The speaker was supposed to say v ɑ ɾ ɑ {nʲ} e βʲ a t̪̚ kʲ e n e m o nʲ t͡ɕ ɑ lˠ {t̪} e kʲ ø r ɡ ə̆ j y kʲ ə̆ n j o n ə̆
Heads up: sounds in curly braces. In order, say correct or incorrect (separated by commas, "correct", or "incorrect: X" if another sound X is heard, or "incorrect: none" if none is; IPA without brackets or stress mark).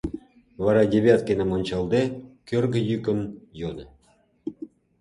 incorrect: dʲ, incorrect: d̪